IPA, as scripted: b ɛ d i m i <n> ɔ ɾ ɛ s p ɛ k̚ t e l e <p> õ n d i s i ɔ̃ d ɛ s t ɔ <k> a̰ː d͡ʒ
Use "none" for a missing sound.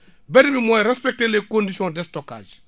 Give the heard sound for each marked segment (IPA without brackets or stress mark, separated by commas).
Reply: m, k, k